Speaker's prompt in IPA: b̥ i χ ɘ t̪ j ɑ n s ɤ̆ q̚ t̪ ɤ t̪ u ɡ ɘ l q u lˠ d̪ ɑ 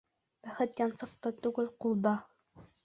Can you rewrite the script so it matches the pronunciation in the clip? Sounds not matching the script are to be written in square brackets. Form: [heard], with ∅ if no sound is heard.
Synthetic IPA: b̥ [æ] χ ɘ t̪ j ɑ n s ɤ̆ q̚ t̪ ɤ t̪ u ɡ ɘ l q u lˠ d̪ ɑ